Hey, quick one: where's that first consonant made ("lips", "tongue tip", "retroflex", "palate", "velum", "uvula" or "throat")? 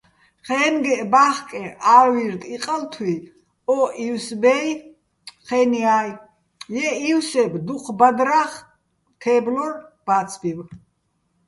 uvula